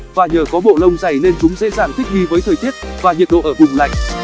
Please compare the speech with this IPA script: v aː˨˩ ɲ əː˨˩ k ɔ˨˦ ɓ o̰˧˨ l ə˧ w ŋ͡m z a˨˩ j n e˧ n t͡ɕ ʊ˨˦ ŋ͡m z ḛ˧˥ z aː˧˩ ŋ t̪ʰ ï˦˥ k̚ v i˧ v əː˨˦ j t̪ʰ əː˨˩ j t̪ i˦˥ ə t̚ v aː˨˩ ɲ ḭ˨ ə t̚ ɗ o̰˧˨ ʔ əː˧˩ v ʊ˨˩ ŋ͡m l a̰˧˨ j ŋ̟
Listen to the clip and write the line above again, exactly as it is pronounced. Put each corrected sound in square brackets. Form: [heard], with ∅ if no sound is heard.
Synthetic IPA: v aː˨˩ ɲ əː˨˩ k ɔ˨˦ ɓ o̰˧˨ l ə˧ w ŋ͡m z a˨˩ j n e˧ n t͡ɕ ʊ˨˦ ŋ͡m z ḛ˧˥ z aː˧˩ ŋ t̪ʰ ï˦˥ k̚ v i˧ v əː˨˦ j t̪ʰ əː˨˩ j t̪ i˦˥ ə t̚ v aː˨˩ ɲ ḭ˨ ə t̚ ɗ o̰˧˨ ʔ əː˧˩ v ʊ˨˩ ŋ͡m l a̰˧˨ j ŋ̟